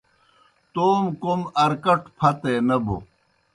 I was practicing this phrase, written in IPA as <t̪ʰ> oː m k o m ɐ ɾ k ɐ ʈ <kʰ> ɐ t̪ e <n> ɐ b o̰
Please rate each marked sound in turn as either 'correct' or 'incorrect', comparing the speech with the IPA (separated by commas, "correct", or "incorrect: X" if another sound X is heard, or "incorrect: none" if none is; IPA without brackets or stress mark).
incorrect: t̪, incorrect: pʰ, correct